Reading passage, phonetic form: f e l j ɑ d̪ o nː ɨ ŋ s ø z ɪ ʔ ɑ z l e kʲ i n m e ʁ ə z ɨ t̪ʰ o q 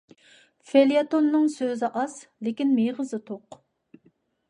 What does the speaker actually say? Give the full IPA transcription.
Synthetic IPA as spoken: f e l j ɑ t̪ o nː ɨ ŋ s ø z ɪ ʔ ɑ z l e kʲ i n m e ʁ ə z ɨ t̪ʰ o q